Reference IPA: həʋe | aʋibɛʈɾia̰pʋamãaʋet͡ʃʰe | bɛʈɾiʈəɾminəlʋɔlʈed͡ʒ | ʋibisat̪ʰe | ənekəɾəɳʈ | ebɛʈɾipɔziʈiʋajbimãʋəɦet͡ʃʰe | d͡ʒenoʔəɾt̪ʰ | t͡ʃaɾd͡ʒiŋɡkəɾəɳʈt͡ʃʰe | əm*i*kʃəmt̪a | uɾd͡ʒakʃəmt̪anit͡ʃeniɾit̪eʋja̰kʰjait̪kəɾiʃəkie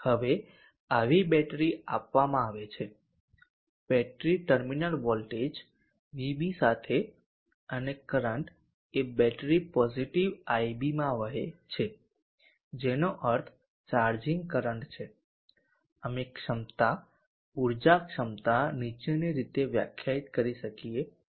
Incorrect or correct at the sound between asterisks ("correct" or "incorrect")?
incorrect